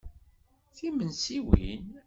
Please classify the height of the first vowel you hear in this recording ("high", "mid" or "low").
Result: high